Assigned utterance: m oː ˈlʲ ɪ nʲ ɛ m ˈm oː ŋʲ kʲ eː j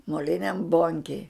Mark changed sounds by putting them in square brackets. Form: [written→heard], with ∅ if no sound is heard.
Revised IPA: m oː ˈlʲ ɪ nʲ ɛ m [ˈm→ˈb] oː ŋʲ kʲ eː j